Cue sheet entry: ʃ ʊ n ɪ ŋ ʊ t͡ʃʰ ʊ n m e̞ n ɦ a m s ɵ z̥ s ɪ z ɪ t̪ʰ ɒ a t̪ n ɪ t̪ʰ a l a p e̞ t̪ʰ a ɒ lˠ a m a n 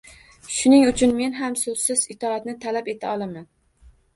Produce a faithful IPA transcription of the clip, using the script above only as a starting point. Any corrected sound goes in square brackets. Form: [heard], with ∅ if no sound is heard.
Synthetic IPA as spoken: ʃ ʊ n ɪ ŋ ʊ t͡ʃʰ ʊ n m e̞ n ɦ a m s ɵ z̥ s ɪ z ɪ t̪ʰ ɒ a t̪ n ɪ t̪ʰ a l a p e̞ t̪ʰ a ɒ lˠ a m a n